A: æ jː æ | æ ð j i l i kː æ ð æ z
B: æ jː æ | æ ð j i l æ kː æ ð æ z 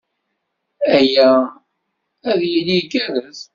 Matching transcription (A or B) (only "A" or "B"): A